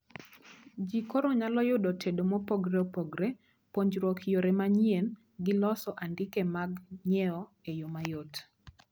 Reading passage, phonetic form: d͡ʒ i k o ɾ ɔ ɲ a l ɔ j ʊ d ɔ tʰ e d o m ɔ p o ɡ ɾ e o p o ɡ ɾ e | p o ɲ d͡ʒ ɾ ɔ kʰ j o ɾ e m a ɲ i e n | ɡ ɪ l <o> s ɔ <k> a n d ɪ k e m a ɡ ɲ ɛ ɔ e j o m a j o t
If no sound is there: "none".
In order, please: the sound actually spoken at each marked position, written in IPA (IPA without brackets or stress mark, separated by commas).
ɔ, ʔ